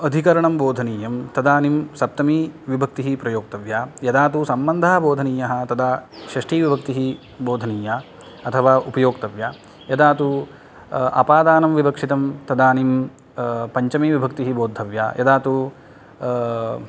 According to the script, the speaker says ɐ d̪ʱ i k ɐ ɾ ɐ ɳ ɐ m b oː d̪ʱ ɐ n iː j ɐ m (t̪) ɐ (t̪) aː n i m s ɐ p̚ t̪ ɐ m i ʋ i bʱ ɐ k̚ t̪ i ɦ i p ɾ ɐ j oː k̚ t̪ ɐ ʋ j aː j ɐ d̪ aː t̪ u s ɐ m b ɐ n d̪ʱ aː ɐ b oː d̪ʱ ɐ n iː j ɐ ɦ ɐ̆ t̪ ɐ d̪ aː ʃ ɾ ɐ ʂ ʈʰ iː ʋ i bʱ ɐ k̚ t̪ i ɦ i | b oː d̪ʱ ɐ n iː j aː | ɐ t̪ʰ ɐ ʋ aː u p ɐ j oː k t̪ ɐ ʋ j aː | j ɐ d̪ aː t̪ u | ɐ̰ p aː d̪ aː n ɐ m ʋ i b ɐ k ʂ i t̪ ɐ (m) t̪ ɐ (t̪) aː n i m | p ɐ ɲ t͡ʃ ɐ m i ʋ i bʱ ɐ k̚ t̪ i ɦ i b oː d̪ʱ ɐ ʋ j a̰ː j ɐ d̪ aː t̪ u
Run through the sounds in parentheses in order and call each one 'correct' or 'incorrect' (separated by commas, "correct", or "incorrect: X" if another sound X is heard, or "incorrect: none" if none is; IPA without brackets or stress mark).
correct, incorrect: d̪, correct, incorrect: d̪